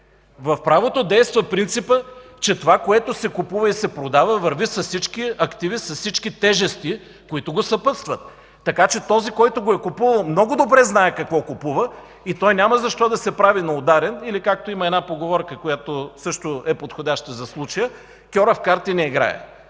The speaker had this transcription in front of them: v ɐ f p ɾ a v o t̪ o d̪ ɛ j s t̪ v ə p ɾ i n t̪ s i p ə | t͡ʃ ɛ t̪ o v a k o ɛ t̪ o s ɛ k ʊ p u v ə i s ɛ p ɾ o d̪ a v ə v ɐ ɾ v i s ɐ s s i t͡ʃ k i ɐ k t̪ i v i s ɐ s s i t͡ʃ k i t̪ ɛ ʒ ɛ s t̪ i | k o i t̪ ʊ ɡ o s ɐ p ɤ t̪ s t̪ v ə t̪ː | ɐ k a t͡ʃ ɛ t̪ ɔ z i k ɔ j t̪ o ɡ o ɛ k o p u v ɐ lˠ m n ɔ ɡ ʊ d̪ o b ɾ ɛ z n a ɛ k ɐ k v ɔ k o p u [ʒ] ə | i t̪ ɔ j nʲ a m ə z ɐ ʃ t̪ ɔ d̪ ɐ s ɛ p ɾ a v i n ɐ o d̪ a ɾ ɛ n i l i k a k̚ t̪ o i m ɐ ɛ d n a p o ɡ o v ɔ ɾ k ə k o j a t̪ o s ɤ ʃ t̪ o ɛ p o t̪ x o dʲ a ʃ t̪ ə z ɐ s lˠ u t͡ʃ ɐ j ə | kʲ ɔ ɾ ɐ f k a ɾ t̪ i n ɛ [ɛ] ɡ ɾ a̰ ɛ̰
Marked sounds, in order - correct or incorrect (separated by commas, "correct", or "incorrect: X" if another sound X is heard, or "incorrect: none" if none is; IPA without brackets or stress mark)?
incorrect: v, incorrect: i